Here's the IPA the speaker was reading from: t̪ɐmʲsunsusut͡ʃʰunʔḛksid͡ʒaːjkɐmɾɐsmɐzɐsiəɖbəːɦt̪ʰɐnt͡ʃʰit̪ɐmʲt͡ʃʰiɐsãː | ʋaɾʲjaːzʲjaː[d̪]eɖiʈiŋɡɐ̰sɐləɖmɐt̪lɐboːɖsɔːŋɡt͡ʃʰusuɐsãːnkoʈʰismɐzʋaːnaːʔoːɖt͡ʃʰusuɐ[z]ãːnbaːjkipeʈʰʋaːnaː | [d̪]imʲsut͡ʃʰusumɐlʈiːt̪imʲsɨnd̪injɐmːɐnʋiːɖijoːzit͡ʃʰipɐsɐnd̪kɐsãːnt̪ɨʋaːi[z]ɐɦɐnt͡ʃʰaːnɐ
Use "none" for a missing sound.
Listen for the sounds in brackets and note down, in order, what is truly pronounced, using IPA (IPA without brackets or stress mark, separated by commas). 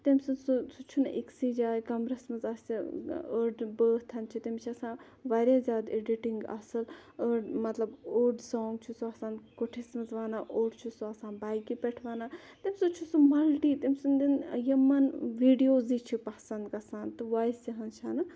d̪, s, t̪, s